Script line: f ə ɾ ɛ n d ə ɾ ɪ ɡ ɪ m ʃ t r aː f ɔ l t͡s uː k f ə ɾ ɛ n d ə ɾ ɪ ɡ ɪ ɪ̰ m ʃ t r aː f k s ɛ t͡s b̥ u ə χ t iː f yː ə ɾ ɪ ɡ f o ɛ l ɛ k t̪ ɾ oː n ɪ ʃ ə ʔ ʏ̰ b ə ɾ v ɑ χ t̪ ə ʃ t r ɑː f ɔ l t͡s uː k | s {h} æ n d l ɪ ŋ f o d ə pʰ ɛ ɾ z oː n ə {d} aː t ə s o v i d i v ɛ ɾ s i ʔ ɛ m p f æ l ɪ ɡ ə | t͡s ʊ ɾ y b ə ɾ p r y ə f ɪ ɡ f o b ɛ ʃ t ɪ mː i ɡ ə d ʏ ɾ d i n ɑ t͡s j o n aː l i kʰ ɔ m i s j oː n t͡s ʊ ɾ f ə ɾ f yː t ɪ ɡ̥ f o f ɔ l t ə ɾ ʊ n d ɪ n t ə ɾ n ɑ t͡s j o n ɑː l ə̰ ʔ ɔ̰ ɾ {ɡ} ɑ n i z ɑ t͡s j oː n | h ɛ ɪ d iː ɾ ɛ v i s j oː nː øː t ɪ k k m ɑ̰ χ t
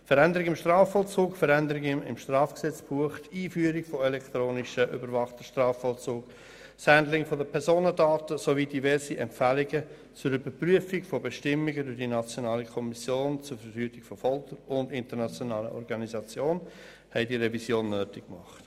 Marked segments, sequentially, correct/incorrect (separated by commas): correct, correct, correct